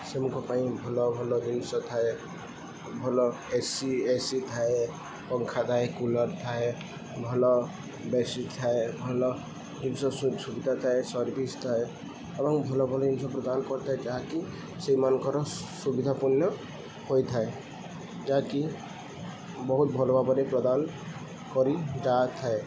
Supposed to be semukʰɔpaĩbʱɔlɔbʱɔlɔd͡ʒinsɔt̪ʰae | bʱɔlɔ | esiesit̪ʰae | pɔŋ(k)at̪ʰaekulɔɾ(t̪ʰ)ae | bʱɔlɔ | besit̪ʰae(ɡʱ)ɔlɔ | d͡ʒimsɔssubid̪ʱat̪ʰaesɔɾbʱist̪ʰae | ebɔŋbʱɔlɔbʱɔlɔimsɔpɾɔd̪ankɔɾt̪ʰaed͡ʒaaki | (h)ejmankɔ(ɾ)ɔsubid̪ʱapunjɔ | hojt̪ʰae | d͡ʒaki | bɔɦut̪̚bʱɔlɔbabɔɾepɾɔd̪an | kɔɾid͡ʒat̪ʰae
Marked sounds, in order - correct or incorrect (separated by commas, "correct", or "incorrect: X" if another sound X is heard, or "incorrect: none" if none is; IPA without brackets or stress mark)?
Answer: incorrect: kʰ, correct, incorrect: bʱ, incorrect: s, correct